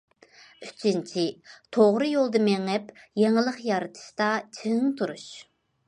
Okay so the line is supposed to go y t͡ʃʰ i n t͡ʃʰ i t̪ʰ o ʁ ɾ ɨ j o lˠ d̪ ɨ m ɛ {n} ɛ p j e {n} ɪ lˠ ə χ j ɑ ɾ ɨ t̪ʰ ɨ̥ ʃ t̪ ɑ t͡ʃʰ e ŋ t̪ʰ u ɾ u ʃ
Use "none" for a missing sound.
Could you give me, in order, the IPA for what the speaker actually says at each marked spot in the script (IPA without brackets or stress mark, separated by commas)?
ŋ, ŋ